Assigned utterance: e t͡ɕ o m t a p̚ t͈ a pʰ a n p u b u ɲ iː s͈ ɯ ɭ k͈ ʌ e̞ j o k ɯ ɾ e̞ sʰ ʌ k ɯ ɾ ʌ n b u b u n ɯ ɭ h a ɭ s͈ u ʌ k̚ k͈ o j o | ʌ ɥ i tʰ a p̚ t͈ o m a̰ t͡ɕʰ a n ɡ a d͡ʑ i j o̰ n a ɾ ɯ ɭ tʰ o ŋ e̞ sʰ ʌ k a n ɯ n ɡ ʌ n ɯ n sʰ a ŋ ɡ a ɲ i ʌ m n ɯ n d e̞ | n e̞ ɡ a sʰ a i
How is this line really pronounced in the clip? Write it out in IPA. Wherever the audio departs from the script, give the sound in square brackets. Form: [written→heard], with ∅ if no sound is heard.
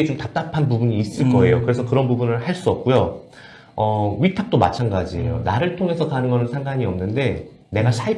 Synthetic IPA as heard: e t͡ɕ o m t a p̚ t͈ a pʰ a n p u b u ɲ iː s͈ ɯ ɭ k͈ ʌ e̞ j o k ɯ ɾ e̞ sʰ ʌ k ɯ ɾ ʌ n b u b u n ɯ ɭ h a ɭ s͈ u ʌ [k̚→p̚] k͈ [o→u] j o | ʌ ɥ i tʰ a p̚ t͈ o m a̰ t͡ɕʰ a n ɡ a d͡ʑ i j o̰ n a ɾ ɯ ɭ tʰ o ŋ e̞ sʰ ʌ k a n ɯ n ɡ ʌ n ɯ n sʰ a ŋ ɡ a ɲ i ʌ m n ɯ n d e̞ | n e̞ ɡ a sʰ a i